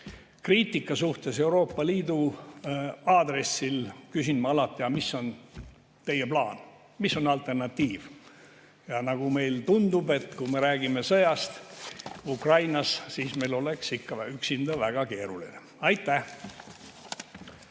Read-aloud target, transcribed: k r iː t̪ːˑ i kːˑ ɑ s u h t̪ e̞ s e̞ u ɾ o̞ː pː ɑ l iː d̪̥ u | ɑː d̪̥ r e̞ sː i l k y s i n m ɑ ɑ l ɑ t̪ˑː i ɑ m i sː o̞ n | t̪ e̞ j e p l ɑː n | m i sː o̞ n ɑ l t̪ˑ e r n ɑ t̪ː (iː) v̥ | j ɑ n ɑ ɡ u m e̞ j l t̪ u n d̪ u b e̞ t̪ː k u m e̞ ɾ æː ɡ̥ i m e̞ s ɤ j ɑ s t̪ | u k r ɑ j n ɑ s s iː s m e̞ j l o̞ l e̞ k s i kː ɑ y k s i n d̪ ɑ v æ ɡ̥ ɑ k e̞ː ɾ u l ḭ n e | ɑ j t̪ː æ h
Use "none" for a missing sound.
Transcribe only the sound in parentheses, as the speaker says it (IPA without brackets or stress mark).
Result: iː